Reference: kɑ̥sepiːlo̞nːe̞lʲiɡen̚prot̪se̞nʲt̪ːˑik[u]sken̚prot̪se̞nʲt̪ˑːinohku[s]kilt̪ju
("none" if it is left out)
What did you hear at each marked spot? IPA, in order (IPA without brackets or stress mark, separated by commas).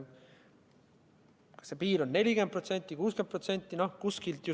uː, s